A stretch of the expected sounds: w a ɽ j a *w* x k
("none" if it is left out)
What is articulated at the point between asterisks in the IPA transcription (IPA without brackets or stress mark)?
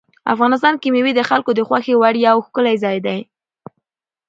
w